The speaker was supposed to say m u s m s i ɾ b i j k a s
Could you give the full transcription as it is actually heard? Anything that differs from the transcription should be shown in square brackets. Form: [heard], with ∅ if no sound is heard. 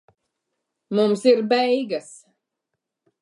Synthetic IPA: m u [∅] m s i ɾ b [ɛ] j [ɡ] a s